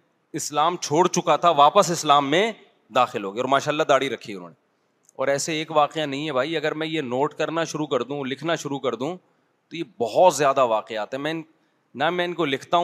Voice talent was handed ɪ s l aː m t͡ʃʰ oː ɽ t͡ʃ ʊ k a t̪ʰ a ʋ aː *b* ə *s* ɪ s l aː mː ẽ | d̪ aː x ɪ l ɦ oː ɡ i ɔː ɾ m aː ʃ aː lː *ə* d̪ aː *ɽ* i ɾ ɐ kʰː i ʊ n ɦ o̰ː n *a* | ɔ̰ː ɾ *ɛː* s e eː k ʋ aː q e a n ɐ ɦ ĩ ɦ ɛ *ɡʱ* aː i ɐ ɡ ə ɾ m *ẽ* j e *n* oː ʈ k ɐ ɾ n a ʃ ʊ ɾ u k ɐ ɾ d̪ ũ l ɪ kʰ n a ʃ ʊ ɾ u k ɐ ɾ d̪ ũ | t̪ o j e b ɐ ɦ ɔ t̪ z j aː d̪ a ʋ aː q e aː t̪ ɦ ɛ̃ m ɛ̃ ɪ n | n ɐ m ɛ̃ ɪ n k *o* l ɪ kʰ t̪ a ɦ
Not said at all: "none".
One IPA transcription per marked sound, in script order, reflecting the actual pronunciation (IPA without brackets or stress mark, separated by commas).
p, s, a, ɽ, e, ɛː, bʱ, ɛ̃, n, o